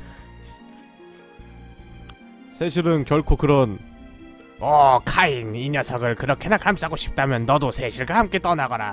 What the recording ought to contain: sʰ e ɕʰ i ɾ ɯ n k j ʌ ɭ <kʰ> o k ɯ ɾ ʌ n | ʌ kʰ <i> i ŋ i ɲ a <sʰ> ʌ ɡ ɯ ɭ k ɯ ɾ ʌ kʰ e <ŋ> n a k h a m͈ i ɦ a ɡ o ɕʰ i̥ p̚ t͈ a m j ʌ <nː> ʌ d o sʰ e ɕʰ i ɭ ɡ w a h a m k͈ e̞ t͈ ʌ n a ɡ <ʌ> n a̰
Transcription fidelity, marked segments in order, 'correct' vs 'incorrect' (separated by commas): correct, incorrect, correct, incorrect, correct, correct